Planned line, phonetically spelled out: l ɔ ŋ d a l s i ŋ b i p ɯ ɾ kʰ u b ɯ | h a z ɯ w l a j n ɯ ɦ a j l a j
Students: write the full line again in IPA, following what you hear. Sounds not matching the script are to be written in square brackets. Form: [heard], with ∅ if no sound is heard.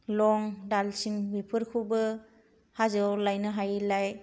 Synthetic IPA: l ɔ ŋ d a l s i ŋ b i [pʰ] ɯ ɾ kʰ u b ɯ | h a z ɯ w l a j n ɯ ɦ a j l a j